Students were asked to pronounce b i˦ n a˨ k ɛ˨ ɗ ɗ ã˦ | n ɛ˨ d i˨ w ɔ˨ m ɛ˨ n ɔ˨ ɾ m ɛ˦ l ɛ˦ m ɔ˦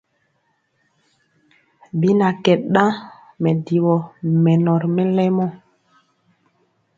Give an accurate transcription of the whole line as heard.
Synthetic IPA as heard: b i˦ n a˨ k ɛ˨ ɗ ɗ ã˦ | m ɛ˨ d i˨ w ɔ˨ m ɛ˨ n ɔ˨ ɾ m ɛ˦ l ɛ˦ m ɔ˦